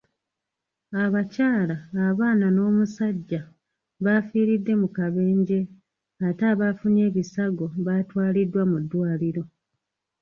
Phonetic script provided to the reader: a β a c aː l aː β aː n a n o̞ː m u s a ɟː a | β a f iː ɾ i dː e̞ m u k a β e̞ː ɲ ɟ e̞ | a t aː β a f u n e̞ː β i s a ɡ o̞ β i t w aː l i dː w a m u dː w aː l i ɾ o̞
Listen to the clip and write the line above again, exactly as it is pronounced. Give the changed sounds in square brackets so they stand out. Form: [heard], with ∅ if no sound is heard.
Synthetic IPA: a β a c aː l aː β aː n a n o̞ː m u s a ɟː a | β a f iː ɾ i dː e̞ m u k a β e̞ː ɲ ɟ e̞ | a t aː β a f u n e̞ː β i s a ɡ o̞ β [a] t w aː l i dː w a m u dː w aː l i ɾ o̞